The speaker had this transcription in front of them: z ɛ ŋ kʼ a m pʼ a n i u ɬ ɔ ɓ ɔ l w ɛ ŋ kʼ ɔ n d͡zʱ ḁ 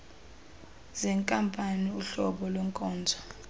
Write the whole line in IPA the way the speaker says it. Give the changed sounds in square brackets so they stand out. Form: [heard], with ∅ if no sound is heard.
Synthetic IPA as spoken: z ɛ ŋ kʼ a m pʼ a n i u ɬ ɔ ɓ ɔ l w ɛ ŋ kʼ [ɔː] n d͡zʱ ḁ